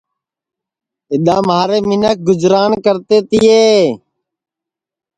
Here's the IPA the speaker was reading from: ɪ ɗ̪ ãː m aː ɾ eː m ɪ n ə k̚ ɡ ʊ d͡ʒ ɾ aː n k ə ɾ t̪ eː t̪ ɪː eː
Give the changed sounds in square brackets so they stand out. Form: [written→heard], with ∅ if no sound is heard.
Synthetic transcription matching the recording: ɪ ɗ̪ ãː m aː ɾ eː m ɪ n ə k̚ ɡ ʊ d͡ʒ ɾ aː n k ə ɾ t̪ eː t̪ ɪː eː

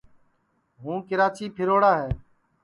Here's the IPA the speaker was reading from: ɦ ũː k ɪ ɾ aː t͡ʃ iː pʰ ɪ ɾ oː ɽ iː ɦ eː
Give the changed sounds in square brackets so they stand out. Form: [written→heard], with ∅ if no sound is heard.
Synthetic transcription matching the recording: ɦ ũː k ɪ ɾ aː t͡ʃ iː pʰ ɪ ɾ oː ɽ [iː→aː] ɦ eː

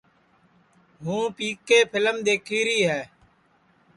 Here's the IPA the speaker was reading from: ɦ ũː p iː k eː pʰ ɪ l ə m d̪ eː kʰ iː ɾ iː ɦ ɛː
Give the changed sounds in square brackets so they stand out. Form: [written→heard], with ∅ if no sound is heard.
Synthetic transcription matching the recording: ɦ ũː p iː k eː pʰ ɪ l ə m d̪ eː kʰ iː ɾ iː ɦ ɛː

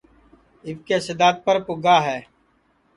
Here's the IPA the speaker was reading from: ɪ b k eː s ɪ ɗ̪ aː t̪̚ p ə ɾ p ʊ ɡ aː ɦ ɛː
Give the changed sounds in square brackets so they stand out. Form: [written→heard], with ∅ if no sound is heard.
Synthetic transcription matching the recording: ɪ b k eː s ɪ [ɗ̪→d̪] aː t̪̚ p ə ɾ p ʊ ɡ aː ɦ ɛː

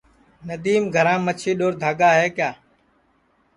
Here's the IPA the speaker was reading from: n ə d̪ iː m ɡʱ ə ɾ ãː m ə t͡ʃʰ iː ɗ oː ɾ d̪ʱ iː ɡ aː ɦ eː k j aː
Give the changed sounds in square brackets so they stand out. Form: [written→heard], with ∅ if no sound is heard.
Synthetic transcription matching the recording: n ə d̪ iː m ɡʱ ə ɾ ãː m ə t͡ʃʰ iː ɗ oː ɾ d̪ʱ [iː→aː] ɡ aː ɦ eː k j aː

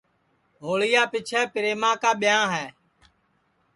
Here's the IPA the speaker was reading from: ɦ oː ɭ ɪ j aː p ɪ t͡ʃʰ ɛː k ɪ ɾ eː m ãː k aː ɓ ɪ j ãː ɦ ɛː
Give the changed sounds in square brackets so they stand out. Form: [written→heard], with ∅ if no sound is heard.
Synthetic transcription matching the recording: ɦ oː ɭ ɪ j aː p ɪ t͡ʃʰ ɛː [k→p] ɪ ɾ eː m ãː k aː ɓ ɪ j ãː ɦ ɛː

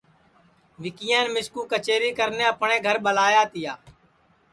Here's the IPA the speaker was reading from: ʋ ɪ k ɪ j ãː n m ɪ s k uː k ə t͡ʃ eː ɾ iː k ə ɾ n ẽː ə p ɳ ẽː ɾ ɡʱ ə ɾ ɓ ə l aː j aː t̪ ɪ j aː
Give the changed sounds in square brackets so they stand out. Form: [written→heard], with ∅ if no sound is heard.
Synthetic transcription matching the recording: ʋ ɪ k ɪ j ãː n m ɪ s k uː k ə t͡ʃ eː ɾ iː k ə ɾ n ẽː ə p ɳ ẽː [ɾ→∅] ɡʱ ə ɾ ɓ ə l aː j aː t̪ ɪ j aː

